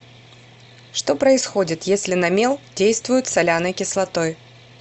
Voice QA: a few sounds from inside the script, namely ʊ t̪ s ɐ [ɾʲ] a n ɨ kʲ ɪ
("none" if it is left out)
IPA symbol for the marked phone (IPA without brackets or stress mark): lʲ